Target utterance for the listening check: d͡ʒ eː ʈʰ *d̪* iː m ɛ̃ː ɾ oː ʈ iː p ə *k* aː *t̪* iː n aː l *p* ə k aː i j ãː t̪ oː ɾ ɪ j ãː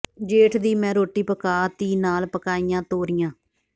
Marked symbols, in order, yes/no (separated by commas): yes, yes, yes, yes